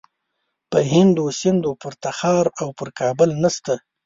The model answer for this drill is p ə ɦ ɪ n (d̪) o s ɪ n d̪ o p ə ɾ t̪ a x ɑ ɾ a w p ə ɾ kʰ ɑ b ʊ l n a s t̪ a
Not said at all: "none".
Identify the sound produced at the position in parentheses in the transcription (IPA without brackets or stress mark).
d̪